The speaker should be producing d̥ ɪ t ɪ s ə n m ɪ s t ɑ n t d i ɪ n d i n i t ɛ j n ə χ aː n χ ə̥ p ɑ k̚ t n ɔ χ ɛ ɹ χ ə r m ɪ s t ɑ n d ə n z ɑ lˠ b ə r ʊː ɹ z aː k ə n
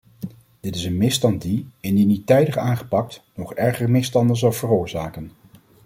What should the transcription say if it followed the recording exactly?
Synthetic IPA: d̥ ɪ t ɪ s ə n m ɪ s t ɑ n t d i ɪ n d i n i t ɛ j d ə χ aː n χ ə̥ p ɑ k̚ t n ɔ χ ɛ ɹ χ ə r m ɪ s t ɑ n d ə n z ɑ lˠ v ə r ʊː ɹ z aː k ə n

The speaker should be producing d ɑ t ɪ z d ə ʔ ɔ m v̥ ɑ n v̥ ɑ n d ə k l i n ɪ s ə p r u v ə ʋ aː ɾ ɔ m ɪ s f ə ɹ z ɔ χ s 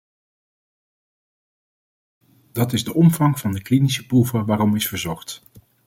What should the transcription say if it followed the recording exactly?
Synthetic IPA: d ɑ t ɪ z d ə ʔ ɔ m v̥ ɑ ŋ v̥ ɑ n d ə k l i n i s ə p r u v ə ʋ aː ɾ ɔ m ɪ s f ə ɹ z ɔ χ t

